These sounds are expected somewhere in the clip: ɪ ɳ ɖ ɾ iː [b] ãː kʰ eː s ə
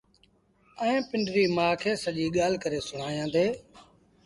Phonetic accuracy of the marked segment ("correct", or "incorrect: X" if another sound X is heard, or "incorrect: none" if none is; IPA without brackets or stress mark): incorrect: m